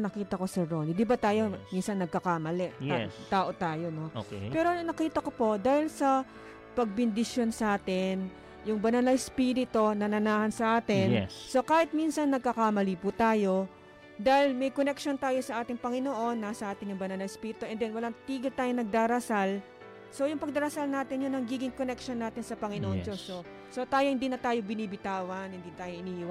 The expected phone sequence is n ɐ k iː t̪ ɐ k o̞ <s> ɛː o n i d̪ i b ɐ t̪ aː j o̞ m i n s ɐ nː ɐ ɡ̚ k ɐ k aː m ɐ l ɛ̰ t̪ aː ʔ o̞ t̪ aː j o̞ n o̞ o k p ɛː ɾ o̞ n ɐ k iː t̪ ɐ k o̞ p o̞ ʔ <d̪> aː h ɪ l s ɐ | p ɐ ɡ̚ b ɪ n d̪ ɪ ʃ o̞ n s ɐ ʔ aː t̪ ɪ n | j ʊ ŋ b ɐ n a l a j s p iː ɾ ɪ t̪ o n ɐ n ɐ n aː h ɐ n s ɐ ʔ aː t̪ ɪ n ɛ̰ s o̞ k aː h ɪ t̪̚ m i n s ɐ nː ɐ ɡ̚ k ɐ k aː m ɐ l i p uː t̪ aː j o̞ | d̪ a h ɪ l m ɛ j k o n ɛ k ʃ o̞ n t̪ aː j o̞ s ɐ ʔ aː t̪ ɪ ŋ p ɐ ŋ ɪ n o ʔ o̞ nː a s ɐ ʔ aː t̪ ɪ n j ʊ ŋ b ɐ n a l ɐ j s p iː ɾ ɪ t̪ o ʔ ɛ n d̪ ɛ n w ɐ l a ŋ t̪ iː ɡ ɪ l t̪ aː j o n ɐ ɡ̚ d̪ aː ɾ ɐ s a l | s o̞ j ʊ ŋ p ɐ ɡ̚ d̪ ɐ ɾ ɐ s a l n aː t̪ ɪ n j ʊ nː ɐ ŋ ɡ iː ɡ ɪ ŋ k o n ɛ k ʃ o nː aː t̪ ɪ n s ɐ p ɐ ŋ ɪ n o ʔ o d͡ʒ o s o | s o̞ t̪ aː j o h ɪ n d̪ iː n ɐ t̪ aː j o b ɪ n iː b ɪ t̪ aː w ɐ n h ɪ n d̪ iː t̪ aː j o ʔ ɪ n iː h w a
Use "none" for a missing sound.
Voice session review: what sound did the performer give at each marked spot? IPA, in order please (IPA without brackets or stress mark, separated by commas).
s, d̪